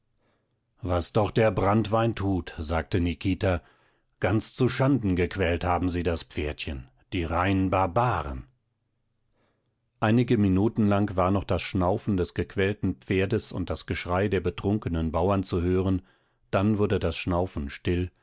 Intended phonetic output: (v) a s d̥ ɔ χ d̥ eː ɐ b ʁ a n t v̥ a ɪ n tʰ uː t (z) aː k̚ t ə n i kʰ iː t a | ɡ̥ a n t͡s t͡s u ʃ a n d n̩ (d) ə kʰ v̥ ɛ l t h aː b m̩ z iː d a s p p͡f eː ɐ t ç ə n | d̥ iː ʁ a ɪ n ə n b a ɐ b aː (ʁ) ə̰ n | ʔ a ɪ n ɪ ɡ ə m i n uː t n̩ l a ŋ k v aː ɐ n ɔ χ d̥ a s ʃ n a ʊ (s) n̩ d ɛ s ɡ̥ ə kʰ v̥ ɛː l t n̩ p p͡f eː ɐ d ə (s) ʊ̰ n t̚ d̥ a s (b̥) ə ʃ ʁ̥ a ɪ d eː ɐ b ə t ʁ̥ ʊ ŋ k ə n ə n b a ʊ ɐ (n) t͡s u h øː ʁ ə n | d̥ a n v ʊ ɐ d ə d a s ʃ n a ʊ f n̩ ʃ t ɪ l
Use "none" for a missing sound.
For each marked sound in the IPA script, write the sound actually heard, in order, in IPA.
v, z, ɡ, ʁ, f, s, ɡ̥, n

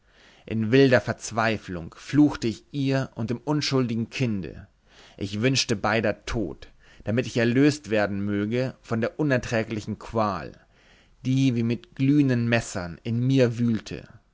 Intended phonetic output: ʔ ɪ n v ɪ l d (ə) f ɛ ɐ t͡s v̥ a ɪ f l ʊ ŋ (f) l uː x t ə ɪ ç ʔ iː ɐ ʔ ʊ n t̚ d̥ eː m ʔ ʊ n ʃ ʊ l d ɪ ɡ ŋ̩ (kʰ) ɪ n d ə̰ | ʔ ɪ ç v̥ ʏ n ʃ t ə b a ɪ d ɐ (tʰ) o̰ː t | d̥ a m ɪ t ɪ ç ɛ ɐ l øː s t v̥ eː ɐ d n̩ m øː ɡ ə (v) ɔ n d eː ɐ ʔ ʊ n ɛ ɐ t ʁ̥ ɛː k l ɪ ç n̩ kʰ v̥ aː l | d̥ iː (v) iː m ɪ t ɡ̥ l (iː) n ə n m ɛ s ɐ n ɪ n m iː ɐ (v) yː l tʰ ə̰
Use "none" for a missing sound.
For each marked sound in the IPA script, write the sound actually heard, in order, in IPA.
ɐ, f, kʰ, tʰ, f, v, yː, v

